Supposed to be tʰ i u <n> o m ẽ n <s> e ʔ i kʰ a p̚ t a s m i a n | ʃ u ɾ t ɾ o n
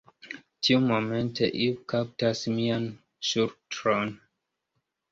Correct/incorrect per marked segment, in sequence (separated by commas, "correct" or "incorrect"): incorrect, incorrect